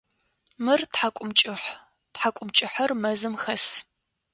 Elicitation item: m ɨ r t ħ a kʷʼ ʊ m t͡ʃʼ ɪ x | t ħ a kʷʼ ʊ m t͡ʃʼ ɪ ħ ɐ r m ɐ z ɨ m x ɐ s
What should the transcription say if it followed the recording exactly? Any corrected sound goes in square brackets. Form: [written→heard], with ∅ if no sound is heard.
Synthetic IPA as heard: m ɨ r t ħ a kʷʼ ʊ m t͡ʃʼ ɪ [x→ħ] | t ħ a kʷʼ ʊ m t͡ʃʼ ɪ ħ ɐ r m ɐ z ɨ m x ɐ s